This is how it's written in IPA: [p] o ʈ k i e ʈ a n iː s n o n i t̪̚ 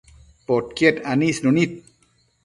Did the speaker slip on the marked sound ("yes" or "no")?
no